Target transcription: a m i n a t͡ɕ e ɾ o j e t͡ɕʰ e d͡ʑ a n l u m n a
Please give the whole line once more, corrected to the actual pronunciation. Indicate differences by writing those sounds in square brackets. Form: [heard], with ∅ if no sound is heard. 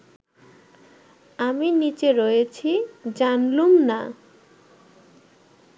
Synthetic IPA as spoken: a m i n [i] t͡ɕ e ɾ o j e t͡ɕʰ [i] d͡ʑ a n l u m n a